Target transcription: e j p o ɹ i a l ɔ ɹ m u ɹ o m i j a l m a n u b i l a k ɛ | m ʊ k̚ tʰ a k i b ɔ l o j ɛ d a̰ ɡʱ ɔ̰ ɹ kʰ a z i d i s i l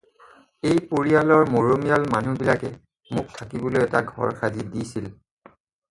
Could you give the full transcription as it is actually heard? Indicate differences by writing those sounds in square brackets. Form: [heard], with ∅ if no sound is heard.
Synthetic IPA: e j p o ɹ i a l ɔ ɹ m [o] ɹ o m i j a l m a n u b i l a k ɛ | m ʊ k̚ tʰ a k i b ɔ l o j ɛ [t] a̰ ɡʱ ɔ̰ ɹ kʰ a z i d i s i l